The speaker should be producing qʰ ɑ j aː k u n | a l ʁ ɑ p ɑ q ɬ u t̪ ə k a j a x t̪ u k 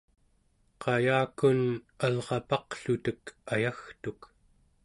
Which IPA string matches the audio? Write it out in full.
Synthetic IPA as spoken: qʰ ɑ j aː k u n | a l ʁ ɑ p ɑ q ɬ u t̪ ə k a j a x t̪ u k